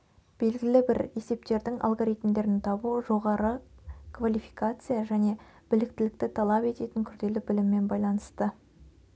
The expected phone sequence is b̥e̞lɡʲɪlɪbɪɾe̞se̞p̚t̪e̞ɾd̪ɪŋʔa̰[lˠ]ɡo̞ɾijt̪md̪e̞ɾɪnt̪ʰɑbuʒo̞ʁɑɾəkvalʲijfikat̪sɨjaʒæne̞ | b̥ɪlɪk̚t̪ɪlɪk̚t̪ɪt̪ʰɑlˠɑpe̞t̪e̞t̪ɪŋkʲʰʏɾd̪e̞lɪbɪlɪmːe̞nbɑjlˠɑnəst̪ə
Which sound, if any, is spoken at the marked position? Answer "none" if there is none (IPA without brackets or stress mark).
lˠ